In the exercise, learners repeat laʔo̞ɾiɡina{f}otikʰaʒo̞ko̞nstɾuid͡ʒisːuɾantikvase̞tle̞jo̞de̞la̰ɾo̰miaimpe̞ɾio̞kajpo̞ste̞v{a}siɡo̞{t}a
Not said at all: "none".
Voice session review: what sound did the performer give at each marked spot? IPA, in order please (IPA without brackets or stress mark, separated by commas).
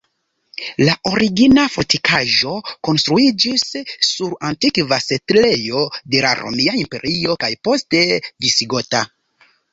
f, i, t